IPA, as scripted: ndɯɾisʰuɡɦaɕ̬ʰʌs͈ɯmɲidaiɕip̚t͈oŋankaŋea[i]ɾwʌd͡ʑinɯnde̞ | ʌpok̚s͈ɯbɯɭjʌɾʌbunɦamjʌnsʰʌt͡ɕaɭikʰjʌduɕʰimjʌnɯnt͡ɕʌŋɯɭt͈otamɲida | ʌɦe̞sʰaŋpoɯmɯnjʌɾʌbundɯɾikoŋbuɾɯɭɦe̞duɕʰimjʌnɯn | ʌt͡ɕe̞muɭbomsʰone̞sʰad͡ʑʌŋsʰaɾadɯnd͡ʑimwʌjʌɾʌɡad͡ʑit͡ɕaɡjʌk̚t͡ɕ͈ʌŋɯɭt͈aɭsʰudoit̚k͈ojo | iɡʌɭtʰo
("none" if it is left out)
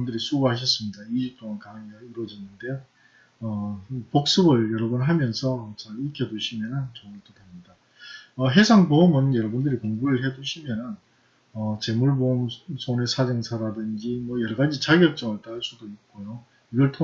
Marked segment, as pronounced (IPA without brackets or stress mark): i